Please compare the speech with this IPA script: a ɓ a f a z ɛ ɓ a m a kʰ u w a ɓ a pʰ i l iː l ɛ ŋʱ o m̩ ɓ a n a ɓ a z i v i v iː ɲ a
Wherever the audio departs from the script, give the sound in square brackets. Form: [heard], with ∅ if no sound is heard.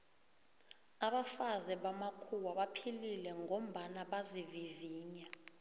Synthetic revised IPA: a ɓ a f a z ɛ ɓ a m a kʰ u w a ɓ a pʰ i l [i] l ɛ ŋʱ o m̩ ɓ a n a ɓ a z i v i v iː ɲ a